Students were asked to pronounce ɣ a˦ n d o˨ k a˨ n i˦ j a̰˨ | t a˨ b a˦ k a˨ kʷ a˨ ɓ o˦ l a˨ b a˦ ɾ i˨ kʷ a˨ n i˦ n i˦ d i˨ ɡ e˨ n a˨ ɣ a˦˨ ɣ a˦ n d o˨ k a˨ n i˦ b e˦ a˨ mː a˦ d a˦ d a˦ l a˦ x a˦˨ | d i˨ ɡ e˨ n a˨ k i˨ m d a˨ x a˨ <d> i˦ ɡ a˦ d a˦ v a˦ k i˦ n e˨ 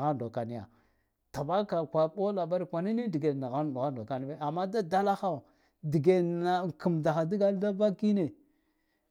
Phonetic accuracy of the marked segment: correct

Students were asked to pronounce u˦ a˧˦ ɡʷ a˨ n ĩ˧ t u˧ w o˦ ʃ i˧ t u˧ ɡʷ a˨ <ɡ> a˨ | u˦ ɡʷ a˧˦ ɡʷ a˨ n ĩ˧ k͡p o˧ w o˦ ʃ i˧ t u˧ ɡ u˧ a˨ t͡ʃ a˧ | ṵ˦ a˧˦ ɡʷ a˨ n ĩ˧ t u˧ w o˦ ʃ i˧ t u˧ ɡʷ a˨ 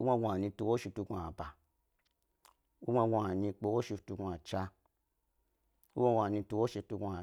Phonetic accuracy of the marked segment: incorrect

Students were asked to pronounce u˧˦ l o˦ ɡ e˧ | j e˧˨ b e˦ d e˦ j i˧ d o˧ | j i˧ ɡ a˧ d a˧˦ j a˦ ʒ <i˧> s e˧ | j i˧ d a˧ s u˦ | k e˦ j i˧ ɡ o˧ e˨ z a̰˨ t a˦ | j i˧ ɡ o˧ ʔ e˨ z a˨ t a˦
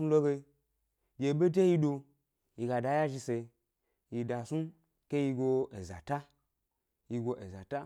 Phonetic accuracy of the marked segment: correct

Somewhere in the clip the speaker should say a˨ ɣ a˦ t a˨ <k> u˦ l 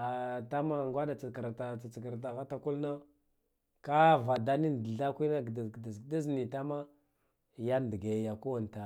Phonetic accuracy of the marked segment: correct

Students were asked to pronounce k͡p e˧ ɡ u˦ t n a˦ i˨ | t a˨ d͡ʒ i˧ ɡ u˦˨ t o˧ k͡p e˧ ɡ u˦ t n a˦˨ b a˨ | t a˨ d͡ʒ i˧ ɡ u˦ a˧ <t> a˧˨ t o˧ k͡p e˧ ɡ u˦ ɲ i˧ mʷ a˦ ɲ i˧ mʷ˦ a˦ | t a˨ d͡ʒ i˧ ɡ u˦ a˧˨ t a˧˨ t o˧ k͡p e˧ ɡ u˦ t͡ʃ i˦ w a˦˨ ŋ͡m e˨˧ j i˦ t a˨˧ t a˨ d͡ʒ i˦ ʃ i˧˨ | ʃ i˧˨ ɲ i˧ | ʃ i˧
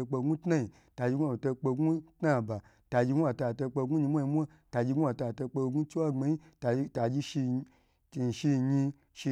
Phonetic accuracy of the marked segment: correct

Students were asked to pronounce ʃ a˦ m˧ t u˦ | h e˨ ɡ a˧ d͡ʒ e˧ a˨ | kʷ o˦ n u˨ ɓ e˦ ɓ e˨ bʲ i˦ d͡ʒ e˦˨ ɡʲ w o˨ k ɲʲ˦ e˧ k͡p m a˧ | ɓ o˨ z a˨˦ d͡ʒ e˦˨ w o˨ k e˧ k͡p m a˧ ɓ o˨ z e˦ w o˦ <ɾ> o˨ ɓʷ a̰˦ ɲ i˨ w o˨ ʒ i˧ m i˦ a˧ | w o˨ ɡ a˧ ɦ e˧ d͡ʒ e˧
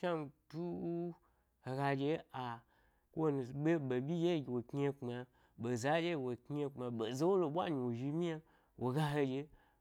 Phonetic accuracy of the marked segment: incorrect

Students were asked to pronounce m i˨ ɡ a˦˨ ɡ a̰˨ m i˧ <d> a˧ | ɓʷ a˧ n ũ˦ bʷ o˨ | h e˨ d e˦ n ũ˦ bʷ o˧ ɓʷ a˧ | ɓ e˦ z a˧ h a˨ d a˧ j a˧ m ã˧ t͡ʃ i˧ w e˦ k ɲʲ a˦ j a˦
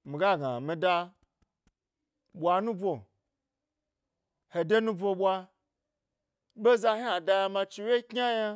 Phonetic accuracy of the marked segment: correct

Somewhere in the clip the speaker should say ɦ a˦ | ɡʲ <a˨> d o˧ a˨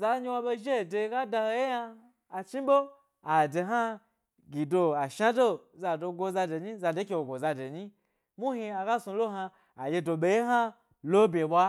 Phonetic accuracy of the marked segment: incorrect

